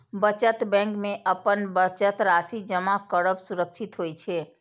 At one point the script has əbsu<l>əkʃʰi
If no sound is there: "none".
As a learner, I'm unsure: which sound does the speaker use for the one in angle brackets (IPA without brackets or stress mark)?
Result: ɾ